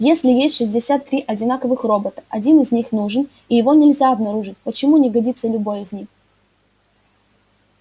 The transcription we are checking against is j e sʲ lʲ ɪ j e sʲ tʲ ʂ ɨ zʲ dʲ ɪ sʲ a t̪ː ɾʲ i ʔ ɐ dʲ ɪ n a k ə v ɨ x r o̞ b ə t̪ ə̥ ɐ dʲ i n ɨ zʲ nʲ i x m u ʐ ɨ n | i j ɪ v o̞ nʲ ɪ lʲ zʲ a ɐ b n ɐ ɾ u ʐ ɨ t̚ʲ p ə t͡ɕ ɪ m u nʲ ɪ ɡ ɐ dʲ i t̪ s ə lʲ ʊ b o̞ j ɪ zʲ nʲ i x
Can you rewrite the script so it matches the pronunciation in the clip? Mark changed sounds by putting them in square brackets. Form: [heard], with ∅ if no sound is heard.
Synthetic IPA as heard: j e sʲ lʲ ɪ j e sʲ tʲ ʂ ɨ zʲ dʲ ɪ sʲ a t̪ː ɾʲ i ʔ ɐ dʲ ɪ n a k ə v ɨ x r o̞ b ə t̪ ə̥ ɐ dʲ i n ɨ zʲ nʲ i x [n] u ʐ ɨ n | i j ɪ v o̞ nʲ ɪ lʲ zʲ a ɐ b n ɐ ɾ u ʐ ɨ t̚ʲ p ə t͡ɕ ɪ m u nʲ ɪ ɡ ɐ dʲ i t̪ s ə lʲ ʊ b o̞ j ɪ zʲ nʲ i x